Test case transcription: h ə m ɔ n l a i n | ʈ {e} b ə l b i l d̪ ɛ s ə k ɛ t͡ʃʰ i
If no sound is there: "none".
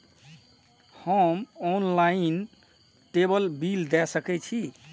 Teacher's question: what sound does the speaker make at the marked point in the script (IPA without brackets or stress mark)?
e